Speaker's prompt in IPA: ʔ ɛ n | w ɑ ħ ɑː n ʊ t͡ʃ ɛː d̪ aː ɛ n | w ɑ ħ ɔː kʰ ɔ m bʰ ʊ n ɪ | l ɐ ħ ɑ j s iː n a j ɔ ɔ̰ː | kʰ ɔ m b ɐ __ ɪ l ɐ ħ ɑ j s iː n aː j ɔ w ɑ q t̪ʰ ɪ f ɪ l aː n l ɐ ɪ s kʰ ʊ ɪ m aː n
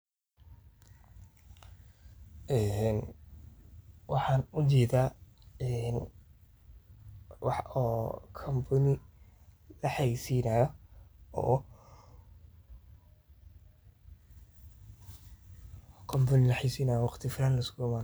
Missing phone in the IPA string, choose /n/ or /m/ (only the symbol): n